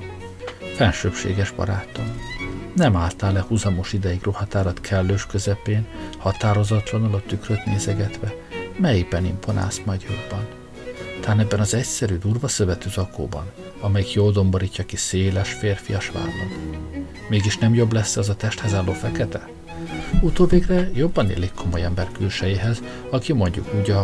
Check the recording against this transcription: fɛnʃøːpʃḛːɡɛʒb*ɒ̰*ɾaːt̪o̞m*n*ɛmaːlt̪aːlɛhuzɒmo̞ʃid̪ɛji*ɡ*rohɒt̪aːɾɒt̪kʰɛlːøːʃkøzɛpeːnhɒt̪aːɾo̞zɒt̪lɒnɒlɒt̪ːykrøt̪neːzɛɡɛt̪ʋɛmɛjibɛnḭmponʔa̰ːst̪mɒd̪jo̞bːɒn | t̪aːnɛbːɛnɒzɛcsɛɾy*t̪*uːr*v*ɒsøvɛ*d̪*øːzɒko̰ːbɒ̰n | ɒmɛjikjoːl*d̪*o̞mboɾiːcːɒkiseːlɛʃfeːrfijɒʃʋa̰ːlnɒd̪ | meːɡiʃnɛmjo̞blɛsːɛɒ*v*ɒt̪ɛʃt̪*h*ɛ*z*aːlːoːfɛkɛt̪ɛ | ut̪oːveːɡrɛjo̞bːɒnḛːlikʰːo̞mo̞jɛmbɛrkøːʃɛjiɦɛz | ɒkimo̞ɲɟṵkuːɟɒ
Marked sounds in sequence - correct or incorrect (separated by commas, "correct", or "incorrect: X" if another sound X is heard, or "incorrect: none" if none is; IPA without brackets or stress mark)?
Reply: correct, correct, correct, incorrect: d̪, correct, incorrect: t̪, correct, incorrect: z, correct, correct